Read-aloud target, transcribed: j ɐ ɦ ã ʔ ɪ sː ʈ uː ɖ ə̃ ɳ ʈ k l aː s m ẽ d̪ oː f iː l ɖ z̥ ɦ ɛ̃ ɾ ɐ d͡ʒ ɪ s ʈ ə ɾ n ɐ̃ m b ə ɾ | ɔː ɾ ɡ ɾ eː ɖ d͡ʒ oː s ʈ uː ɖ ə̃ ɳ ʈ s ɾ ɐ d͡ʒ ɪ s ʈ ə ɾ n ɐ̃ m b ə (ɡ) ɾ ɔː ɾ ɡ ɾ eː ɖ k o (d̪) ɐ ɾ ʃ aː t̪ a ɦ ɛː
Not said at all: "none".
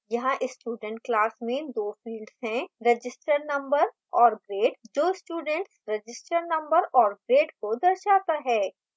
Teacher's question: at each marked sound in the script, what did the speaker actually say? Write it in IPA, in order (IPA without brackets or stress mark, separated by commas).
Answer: none, d̪